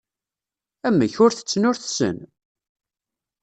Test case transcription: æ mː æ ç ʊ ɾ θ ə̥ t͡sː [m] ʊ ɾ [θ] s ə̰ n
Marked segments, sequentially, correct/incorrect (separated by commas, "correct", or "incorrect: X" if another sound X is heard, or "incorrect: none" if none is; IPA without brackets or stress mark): incorrect: n, correct